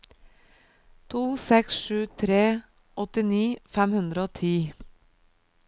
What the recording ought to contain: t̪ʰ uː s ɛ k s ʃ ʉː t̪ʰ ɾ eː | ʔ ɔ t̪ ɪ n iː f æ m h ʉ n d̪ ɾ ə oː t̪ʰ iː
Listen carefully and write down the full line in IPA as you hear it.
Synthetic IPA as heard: t̪ʰ uː s ɛ k s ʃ ʉː t̪ʰ ɾ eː | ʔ ɔ t̪ ɪ n iː f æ m h ʉ n d̪ ɾ ə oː t̪ʰ iː